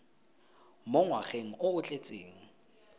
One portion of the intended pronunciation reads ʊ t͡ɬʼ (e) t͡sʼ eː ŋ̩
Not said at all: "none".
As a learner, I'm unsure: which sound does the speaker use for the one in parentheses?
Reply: e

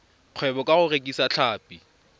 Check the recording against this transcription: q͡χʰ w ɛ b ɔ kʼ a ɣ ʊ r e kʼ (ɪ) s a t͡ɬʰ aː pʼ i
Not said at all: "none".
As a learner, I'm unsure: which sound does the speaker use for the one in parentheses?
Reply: i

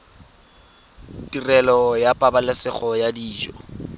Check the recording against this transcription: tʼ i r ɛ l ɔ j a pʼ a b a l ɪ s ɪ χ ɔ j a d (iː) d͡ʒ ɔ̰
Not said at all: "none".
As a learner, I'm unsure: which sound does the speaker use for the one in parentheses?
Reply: iː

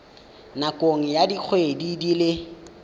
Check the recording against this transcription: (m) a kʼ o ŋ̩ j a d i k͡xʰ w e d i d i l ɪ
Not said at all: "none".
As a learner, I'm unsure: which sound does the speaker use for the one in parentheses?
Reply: n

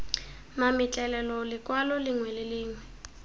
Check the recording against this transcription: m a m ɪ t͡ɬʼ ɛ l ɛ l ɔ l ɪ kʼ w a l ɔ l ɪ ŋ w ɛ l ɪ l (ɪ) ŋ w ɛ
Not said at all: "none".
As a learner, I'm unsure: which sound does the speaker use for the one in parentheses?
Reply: ɪː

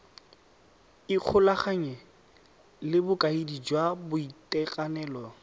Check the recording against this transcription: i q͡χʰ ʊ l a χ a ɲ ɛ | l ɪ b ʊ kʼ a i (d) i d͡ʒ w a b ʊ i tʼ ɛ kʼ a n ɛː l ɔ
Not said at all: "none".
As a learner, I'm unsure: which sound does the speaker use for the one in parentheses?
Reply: d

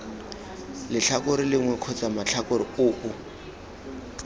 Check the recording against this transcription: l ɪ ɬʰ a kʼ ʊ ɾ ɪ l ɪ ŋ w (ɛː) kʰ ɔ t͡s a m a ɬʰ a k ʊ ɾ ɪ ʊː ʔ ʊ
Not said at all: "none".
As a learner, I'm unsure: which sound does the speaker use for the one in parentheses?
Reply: ɛ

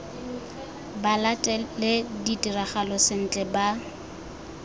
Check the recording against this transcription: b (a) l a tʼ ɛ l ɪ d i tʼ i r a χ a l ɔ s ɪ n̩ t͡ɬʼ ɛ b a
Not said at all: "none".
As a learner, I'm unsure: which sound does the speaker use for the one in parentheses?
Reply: a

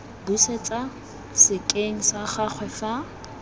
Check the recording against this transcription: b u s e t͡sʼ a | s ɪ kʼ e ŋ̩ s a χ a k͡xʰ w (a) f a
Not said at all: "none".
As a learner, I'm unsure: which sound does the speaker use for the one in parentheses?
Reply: ɛ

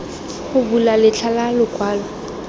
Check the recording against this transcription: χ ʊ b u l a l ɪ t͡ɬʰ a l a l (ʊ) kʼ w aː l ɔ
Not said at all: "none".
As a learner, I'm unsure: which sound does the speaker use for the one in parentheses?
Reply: ʊ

